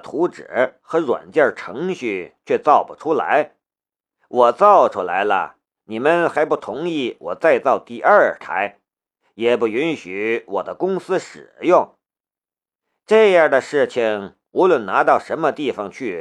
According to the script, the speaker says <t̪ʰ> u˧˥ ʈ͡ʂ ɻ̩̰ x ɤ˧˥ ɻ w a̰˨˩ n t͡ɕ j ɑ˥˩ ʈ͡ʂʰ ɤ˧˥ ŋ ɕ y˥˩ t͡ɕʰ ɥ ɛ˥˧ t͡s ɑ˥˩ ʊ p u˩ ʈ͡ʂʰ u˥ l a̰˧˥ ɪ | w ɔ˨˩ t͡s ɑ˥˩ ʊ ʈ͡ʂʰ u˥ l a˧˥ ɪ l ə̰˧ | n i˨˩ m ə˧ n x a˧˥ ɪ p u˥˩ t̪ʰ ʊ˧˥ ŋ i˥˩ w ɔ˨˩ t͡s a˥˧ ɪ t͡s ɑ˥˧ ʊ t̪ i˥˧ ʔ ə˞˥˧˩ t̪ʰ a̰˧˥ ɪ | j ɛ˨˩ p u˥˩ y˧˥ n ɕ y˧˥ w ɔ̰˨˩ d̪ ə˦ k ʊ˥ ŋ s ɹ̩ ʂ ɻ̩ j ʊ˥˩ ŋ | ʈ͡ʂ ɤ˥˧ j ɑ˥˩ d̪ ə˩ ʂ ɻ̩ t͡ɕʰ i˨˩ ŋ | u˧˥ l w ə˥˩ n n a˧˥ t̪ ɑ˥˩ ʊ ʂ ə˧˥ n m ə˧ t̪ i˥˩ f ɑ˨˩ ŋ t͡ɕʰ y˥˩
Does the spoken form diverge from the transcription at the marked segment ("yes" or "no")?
no